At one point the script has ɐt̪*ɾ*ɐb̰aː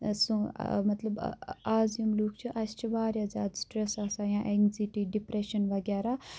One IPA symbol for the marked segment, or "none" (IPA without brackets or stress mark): l